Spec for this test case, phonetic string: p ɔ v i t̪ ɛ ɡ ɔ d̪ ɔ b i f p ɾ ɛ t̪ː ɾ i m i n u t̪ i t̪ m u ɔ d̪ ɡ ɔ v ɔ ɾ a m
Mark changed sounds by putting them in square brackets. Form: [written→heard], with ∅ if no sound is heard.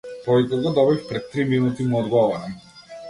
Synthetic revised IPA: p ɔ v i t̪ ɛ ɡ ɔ d̪ ɔ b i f p ɾ ɛ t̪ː ɾ i m i n u t̪ i [t̪→∅] m u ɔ d̪ ɡ ɔ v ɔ ɾ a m